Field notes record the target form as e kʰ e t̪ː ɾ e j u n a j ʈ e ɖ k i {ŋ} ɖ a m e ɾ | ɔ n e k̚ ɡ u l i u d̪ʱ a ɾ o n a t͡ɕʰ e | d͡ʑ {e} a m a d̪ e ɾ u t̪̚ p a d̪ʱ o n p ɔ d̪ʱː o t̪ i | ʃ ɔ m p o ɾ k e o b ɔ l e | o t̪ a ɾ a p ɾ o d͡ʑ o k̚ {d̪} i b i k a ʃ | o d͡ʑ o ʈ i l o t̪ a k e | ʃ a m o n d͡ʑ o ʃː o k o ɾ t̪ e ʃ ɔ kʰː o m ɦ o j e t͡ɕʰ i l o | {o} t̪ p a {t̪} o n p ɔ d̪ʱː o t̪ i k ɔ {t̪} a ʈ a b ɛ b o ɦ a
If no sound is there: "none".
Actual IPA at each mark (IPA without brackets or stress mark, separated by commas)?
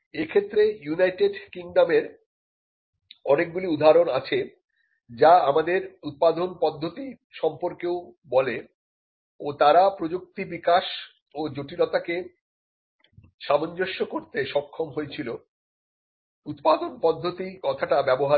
ŋ, a, t̪, u, d̪, t̪ʰ